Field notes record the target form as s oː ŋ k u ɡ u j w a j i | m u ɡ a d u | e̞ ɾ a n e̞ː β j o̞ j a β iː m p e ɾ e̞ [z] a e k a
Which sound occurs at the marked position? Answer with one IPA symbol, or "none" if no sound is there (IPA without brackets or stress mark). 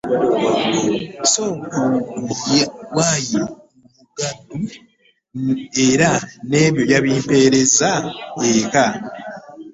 z